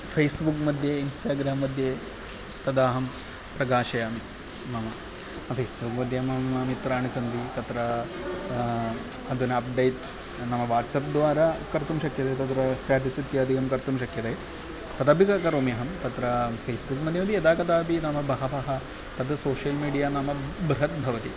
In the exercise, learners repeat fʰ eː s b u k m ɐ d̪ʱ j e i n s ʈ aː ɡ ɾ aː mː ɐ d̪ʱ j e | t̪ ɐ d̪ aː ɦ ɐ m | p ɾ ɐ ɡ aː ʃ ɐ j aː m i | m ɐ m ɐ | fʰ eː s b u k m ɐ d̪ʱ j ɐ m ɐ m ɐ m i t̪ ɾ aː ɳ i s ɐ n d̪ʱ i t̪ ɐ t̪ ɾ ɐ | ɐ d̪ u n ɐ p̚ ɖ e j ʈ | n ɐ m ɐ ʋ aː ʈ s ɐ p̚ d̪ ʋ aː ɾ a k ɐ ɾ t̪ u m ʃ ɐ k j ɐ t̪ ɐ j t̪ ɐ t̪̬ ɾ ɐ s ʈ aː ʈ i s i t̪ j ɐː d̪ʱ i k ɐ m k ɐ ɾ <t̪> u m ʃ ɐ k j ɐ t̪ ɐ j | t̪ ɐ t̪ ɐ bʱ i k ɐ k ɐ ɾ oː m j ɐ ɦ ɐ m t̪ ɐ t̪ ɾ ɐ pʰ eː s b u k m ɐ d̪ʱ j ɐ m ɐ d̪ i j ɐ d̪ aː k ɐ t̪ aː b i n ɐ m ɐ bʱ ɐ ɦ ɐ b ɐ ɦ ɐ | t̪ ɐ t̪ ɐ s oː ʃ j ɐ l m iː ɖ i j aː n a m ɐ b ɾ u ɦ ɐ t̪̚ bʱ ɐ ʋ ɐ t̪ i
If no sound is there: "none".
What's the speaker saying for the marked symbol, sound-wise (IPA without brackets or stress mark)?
t̪